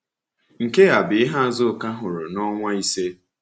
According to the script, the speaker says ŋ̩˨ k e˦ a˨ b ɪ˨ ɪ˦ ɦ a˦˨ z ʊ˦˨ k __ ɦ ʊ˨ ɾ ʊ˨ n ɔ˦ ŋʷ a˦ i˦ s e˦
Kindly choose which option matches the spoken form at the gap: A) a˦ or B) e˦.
A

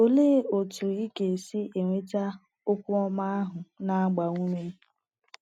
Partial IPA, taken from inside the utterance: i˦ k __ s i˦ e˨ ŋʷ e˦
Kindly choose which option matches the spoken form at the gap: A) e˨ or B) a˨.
A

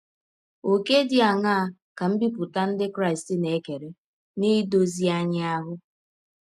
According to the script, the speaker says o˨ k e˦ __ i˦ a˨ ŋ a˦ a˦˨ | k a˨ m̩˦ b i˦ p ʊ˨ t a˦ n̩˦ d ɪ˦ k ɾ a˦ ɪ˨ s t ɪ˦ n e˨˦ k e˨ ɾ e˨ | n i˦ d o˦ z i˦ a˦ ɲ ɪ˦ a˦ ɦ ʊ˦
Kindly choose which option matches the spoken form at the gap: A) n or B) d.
B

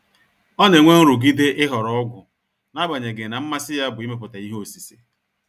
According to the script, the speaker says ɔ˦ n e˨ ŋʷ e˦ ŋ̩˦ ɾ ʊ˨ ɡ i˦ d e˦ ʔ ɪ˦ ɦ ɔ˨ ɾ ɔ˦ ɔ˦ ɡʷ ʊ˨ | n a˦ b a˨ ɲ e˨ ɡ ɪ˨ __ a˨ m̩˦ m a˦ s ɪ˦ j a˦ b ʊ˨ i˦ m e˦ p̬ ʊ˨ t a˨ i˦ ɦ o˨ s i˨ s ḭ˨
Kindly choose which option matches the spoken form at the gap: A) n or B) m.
A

